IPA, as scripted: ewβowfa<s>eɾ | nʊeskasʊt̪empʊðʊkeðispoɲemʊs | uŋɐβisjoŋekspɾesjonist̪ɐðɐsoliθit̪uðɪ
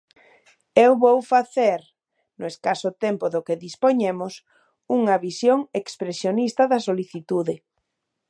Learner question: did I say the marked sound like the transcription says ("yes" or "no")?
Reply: no